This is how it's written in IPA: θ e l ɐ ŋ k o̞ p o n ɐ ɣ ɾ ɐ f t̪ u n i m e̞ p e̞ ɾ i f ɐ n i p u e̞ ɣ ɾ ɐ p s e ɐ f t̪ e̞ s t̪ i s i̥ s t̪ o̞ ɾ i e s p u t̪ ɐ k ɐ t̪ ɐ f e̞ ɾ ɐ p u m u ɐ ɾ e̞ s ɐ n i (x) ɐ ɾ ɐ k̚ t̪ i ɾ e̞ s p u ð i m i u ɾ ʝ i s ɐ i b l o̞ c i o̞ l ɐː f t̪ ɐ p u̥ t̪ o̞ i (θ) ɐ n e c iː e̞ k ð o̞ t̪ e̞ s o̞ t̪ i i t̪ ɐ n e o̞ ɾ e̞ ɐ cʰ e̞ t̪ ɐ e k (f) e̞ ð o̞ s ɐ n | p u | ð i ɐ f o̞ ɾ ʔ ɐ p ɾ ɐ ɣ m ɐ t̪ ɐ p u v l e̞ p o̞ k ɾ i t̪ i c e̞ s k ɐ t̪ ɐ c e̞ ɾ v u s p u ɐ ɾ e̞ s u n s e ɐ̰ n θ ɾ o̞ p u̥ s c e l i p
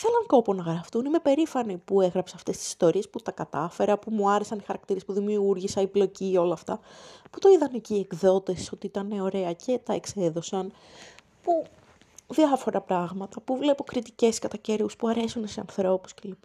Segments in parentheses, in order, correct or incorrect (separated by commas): correct, incorrect, incorrect